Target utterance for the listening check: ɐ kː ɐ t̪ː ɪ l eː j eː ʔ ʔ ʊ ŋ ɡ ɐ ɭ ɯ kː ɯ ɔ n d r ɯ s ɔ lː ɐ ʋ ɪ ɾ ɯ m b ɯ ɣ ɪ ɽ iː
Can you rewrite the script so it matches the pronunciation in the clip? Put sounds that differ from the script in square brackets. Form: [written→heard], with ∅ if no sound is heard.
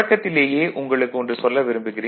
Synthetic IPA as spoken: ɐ kː ɐ t̪ː ɪ l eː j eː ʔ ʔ ʊ ŋ ɡ ɐ ɭ ɯ kː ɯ ɔ n d r ɯ s ɔ lː ɐ ʋ ɪ ɾ ɯ m b ɯ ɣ ɪ [ɽ→r] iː

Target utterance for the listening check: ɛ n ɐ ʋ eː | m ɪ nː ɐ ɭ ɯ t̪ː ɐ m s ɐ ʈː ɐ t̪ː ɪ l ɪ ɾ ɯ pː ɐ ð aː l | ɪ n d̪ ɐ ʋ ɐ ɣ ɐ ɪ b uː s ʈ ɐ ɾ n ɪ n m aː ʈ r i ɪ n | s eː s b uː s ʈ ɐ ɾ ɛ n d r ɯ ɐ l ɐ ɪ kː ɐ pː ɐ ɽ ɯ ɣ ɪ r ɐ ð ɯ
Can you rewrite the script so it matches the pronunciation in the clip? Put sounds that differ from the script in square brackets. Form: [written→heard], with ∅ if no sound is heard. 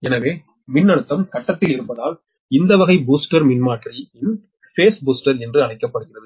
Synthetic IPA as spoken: ɛ n ɐ ʋ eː | m ɪ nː ɐ [ɭ→ɽ] ɯ t̪ː ɐ m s ɐ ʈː ɐ t̪ː ɪ l ɪ ɾ ɯ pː ɐ ð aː l | ɪ n d̪ ɐ ʋ ɐ ɣ ɐ ɪ b uː s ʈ ɐ ɾ [n→m] ɪ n m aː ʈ r i ɪ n | [s→f] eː s b uː s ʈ ɐ ɾ ɛ n d r ɯ ɐ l ɐ ɪ kː ɐ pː ɐ ɽ ɯ ɣ ɪ r ɐ ð ɯ

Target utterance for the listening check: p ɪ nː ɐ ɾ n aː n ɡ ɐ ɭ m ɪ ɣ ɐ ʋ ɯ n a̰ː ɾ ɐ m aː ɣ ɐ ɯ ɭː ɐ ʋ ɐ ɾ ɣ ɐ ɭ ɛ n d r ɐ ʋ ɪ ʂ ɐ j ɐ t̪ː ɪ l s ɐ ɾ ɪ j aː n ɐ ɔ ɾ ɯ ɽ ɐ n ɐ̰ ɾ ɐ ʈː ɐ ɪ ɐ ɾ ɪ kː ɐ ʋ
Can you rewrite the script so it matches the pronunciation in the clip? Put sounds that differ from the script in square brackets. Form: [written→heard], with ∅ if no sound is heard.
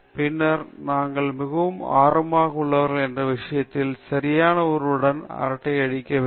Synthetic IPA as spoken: p ɪ nː ɐ ɾ n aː [n→ŋ] ɡ ɐ ɭ m ɪ ɣ ɐ ʋ ɯ [n→m] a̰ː ɾ ɐ m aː ɣ ɐ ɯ ɭː ɐ ʋ ɐ ɾ ɣ ɐ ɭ ɛ n d r ɐ ʋ ɪ ʂ ɐ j ɐ t̪ː ɪ l s ɐ ɾ ɪ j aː n ɐ ɔ ɾ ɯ ɽ ɐ n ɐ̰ ɾ ɐ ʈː ɐ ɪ ɐ [ɾ→ɽ] ɪ kː ɐ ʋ

